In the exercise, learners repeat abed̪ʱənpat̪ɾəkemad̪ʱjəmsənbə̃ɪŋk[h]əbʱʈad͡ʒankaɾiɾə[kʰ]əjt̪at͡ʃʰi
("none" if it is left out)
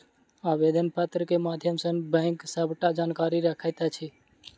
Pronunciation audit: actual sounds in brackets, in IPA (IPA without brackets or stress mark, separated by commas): s, kʰ